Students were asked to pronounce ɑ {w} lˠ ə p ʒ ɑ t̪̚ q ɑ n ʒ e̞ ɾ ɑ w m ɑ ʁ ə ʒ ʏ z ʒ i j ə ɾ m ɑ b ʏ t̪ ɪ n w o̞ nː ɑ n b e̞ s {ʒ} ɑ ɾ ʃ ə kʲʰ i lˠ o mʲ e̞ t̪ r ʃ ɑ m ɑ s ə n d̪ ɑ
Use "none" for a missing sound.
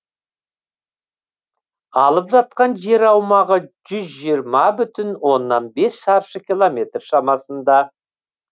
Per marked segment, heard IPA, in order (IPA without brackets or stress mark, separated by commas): none, ʃ